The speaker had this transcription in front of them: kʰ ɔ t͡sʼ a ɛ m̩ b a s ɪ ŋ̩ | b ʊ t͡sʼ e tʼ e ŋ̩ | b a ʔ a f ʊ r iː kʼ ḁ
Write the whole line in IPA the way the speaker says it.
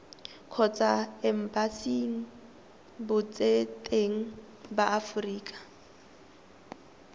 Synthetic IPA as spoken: kʰ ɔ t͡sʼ a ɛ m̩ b a s i ŋ̩ | b ʊ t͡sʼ e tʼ e ŋ̩ | b a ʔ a f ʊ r iː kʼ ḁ